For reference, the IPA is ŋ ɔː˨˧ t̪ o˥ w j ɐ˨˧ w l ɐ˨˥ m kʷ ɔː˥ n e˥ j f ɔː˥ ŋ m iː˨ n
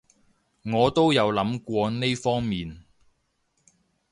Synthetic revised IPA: ŋ ɔː˨˧ t̪ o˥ w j ɐ˨˧ w l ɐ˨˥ m kʷ ɔː˧ n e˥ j f ɔː˥ ŋ m iː˨ n

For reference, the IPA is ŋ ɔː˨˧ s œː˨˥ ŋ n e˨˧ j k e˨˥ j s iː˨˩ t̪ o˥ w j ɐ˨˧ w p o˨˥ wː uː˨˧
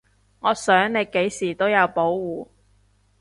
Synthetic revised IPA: ŋ ɔː˨˧ s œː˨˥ ŋ n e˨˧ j k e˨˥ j s iː˨˩ t̪ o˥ w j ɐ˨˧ w p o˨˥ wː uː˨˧

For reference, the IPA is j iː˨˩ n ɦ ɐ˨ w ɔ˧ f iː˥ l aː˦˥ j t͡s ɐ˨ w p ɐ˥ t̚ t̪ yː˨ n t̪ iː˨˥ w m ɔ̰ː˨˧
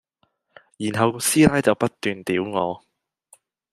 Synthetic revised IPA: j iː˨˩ n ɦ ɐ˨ w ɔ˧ s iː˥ l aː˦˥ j t͡s ɐ˨ w p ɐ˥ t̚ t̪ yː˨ n t̪ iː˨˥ w ŋ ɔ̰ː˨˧

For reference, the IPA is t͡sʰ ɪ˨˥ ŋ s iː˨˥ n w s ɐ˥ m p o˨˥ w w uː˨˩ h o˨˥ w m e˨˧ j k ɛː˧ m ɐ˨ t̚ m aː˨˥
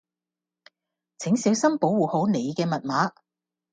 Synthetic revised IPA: t͡sʰ ɪ˨˥ ŋ s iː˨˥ w s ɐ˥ m p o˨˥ w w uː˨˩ h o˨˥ w n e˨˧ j k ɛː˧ m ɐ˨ t̚ m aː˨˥

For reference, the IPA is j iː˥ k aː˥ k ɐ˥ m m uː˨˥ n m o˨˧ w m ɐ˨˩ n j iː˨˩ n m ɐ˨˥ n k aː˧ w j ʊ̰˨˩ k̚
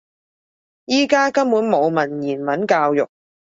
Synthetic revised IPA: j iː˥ k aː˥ k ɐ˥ m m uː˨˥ n m o˨˧ w m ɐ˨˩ n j iː˨˩ n m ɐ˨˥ n k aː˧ w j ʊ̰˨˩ k̚

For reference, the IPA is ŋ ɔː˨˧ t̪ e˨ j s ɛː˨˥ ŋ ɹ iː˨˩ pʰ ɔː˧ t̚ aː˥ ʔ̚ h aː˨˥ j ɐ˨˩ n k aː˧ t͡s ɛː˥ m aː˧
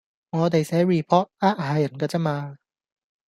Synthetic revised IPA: ŋ ɔː˨˧ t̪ e˨ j s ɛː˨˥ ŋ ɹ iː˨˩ pʰ ɔː˥ t̚ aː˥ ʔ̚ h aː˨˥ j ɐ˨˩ n k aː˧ t͡s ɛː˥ m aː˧

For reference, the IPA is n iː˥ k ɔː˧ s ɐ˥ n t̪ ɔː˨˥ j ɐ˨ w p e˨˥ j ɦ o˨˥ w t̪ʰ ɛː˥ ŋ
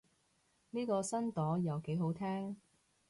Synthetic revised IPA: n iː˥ k ɔː˧ s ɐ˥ n t̪ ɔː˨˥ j ɐ˨ w k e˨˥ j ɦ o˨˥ w t̪ʰ ɛː˥ ŋ

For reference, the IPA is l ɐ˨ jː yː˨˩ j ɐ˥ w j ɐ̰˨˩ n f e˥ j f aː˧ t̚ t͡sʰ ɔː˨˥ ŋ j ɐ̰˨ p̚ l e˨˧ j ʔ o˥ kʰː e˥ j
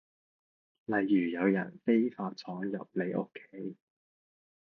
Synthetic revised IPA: l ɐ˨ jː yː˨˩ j ɐ˨˧ w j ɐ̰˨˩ n f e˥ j f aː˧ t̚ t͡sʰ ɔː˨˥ ŋ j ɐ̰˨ p̚ l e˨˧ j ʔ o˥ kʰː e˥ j

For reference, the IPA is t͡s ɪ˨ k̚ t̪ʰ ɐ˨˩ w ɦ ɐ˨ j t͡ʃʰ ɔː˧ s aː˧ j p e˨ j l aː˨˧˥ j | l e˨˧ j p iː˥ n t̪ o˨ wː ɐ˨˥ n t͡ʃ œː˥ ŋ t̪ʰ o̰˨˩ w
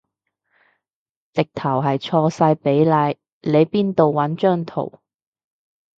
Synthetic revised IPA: t͡s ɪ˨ k̚ t̪ʰ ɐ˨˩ w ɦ ɐ˨ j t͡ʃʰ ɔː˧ s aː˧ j p e˨˥ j l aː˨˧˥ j | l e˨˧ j p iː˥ n t̪ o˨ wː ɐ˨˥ n t͡ʃ œː˥ ŋ t̪ʰ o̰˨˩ w

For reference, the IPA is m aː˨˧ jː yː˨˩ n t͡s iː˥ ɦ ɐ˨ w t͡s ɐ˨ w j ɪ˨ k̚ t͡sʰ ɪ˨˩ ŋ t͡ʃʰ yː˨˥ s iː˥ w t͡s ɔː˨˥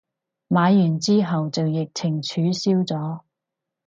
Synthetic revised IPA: m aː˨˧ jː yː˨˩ n t͡s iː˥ ɦ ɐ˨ w t͡s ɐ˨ w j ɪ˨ k̚ t͡sʰ ɪ˨˩ ŋ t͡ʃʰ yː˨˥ s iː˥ w t͡s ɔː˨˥

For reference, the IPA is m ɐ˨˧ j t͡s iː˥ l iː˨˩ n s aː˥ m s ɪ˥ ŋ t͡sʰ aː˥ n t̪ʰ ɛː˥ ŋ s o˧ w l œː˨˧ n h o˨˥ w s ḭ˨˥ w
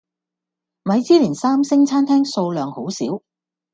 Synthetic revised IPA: m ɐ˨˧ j t͡s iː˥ l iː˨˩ n s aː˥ m s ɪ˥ ŋ t͡sʰ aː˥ n t̪ʰ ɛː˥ ŋ s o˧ w l œː˨˧ ŋ h o˨˥ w s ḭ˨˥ w

